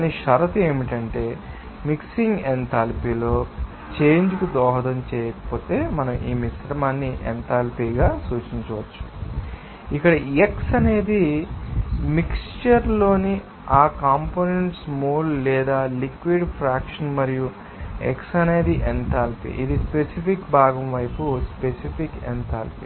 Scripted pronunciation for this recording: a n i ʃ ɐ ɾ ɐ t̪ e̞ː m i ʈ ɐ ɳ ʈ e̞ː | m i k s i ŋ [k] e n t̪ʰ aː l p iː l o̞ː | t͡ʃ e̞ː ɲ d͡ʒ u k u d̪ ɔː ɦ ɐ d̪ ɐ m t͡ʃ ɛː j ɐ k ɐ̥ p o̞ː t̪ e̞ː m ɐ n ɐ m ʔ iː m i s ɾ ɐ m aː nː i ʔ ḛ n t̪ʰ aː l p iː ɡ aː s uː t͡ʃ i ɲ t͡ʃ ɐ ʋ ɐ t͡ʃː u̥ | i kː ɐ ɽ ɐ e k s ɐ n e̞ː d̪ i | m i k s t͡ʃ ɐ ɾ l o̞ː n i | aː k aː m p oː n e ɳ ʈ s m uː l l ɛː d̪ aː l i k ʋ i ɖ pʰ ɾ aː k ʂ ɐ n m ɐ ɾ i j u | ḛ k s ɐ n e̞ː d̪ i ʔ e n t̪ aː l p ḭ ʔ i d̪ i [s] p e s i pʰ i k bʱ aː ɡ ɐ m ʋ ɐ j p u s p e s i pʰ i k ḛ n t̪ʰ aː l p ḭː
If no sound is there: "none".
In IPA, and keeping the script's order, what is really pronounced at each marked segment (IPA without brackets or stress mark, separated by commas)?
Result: ɡ, s